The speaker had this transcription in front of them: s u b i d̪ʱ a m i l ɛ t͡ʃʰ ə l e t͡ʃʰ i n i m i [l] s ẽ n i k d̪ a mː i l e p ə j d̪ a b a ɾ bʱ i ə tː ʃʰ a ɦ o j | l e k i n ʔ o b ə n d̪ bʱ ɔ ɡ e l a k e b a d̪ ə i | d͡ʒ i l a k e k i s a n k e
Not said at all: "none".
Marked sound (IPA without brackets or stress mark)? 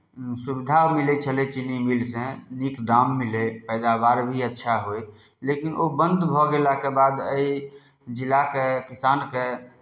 l